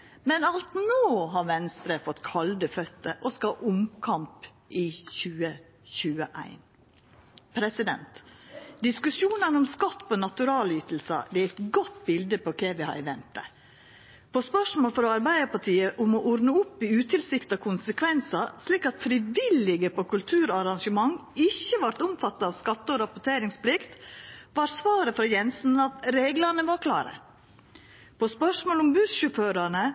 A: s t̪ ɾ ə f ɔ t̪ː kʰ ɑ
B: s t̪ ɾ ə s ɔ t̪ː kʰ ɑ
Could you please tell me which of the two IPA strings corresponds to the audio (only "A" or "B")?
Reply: A